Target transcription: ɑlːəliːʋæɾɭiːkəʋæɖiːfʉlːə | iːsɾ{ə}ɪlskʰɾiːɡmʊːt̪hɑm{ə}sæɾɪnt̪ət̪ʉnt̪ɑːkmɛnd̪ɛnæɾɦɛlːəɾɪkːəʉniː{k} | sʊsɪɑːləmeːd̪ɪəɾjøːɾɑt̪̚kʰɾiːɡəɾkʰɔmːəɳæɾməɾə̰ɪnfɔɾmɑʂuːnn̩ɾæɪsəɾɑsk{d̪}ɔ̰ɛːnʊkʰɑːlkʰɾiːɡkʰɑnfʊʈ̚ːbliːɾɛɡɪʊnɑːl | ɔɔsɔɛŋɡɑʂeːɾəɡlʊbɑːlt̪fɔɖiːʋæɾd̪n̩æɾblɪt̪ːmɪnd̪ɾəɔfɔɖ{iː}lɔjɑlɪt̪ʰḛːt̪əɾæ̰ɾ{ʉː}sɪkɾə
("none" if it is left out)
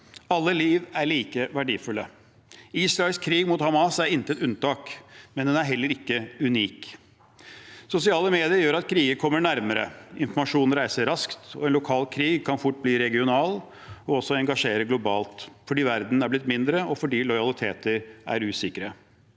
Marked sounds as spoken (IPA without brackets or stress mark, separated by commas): ɑ, ɑ, k, t̪, iː, ʉː